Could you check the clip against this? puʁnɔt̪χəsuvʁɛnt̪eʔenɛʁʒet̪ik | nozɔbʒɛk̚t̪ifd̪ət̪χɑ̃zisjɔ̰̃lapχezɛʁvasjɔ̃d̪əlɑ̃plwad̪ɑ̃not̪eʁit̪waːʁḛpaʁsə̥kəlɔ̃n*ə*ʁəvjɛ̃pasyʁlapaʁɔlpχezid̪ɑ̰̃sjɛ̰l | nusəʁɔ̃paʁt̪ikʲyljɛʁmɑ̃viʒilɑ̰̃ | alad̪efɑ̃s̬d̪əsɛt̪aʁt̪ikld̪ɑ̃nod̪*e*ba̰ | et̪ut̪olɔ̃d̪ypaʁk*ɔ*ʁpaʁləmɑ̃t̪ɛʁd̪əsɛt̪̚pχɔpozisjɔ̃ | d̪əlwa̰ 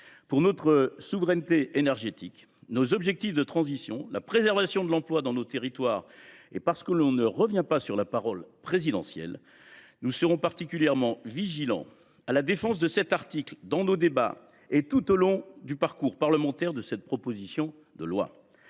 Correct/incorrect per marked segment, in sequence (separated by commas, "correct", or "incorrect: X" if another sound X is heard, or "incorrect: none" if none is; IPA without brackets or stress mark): correct, correct, incorrect: u